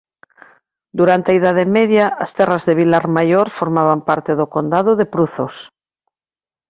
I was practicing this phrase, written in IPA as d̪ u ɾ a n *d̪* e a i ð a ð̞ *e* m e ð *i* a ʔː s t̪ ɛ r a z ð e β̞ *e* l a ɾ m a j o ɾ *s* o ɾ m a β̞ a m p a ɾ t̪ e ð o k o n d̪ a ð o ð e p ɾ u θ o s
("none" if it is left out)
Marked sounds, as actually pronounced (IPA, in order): t̪, e, j, i, f

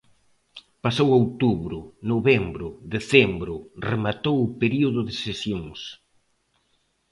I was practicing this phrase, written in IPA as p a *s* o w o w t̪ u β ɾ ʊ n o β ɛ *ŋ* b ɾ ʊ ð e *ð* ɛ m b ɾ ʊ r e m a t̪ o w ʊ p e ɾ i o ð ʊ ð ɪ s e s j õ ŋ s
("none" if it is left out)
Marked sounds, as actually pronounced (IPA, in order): s, m, θ

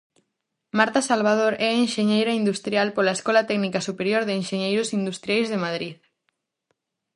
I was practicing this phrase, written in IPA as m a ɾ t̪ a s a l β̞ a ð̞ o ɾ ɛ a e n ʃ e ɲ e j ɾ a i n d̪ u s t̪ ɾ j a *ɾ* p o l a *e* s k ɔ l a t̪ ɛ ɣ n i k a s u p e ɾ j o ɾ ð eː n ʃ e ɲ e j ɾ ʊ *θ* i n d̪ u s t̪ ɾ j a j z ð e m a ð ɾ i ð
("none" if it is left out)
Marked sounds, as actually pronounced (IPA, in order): l, e, s

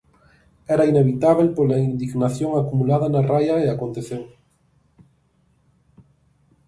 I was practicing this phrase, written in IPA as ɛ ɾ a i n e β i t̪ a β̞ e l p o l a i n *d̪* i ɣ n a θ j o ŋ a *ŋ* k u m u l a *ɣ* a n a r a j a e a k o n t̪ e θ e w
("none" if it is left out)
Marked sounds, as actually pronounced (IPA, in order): d̪, none, ð

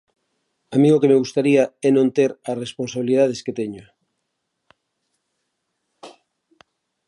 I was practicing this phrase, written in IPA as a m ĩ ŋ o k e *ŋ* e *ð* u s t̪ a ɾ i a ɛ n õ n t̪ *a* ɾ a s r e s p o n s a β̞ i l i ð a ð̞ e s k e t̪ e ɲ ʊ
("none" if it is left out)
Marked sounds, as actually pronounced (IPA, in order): m, ɣ, e

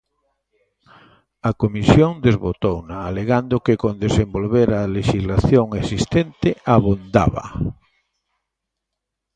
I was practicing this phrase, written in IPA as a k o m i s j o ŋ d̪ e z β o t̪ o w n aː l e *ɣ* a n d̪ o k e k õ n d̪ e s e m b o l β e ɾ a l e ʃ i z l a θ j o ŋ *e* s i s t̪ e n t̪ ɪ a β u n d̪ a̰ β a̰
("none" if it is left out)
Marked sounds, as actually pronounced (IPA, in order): ɣ, e

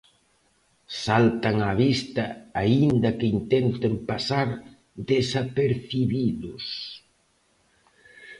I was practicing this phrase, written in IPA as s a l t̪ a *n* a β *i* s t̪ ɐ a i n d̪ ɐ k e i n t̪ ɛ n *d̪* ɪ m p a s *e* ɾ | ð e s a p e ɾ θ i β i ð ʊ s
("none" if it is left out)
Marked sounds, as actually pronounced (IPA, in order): ŋ, i, t̪, a

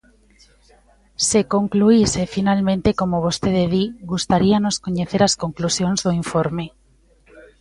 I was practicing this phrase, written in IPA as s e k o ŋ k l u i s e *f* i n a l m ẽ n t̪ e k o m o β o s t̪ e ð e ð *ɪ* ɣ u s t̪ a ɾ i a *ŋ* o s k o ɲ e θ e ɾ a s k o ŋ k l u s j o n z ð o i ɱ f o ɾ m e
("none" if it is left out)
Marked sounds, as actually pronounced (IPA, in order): f, i, n

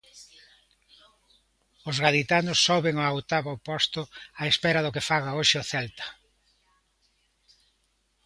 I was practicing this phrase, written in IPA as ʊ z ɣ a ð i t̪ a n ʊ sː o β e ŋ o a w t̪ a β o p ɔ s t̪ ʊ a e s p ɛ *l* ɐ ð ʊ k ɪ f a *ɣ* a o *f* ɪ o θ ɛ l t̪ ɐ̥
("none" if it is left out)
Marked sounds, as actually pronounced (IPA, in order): ɾ, ɣ, ʃ

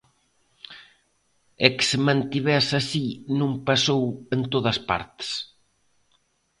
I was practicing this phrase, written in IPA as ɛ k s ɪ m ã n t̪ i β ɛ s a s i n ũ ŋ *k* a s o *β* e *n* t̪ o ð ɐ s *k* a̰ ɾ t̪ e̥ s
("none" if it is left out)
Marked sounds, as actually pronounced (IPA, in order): p, w, n, p

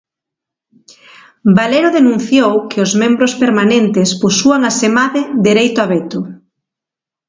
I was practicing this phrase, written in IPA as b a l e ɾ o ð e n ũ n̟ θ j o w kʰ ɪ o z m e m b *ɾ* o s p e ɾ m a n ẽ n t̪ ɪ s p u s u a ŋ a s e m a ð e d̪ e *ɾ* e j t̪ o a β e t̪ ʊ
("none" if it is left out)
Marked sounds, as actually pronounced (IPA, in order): ɾ, ɾ

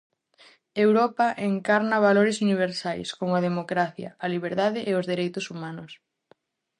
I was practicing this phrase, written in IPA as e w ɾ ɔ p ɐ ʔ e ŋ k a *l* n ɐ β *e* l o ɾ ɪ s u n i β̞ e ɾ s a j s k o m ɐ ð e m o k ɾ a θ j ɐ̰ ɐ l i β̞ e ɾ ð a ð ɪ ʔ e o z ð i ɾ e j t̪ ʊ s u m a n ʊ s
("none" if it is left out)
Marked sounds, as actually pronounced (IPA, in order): ɾ, a

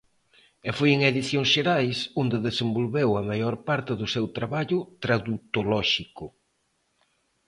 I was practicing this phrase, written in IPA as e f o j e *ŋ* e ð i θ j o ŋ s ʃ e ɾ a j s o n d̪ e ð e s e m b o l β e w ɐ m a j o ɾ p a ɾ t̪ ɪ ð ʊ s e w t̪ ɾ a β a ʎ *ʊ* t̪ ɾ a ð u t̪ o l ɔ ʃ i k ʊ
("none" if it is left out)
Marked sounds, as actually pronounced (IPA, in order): ŋ, ʊ

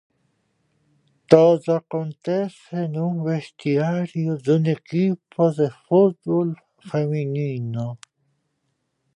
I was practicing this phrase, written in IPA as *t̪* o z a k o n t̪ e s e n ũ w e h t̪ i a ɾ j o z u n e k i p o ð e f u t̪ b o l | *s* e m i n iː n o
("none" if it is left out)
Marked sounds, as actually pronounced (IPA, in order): t̪, f

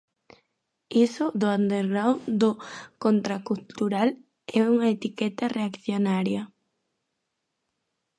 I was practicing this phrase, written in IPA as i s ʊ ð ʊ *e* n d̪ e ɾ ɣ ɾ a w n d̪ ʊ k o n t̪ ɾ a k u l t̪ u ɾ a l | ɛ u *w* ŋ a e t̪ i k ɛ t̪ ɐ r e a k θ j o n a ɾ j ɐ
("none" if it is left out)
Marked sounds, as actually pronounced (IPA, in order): a, none

